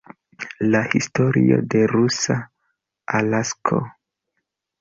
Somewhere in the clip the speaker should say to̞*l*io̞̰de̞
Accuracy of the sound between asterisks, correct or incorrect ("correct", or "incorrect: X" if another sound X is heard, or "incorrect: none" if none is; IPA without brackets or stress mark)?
incorrect: ɾ